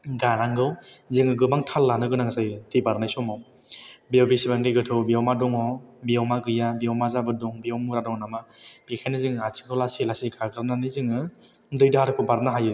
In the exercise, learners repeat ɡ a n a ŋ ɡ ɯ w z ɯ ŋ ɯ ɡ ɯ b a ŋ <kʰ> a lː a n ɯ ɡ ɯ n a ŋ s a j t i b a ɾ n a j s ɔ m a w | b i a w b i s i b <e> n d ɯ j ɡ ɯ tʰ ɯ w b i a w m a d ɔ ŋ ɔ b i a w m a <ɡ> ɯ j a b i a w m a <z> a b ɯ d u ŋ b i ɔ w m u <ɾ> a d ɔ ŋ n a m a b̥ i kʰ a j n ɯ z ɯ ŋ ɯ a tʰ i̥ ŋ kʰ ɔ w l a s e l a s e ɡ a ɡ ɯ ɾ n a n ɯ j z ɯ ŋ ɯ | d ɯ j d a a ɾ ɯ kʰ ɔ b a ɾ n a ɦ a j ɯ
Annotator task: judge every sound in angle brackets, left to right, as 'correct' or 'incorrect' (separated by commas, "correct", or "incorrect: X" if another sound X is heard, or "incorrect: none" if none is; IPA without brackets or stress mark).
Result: incorrect: tʰ, incorrect: a, correct, correct, correct